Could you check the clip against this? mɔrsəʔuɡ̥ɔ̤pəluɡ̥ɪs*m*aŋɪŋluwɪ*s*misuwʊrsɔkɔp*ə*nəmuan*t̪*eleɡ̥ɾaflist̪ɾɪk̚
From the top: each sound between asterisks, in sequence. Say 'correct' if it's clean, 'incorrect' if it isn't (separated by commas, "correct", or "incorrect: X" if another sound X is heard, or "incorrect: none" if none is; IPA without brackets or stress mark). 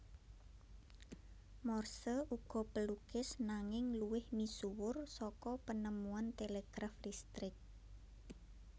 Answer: incorrect: n, incorrect: h, correct, correct